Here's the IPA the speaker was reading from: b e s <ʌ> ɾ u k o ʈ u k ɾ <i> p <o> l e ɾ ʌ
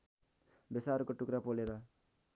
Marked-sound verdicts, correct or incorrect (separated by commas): incorrect, incorrect, correct